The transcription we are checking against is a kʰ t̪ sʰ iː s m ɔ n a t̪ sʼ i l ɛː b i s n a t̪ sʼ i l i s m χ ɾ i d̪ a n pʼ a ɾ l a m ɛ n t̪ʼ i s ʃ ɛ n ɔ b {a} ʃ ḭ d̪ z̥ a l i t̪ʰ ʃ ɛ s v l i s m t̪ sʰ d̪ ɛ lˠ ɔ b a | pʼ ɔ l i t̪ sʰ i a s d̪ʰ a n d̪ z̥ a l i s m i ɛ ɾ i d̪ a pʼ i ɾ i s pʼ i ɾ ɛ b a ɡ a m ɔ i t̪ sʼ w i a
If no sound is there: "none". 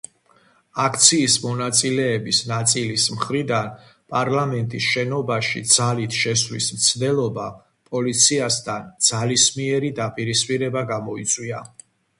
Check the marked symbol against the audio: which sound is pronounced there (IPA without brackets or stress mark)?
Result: a